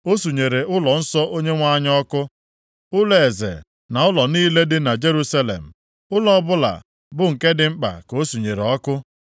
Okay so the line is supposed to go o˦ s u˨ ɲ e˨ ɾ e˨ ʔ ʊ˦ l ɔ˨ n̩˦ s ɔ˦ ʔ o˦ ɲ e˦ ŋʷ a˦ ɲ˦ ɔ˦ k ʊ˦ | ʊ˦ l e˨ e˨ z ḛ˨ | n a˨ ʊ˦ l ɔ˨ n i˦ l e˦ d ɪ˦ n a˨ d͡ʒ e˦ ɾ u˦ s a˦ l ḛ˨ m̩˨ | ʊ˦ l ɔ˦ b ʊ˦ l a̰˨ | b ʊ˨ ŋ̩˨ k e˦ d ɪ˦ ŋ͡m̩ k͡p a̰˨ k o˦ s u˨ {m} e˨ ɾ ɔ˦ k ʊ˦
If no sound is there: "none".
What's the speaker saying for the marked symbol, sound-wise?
ɲ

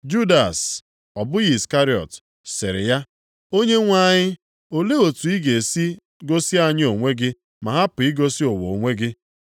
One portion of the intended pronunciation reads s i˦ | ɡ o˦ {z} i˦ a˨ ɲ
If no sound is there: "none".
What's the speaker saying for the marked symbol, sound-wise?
s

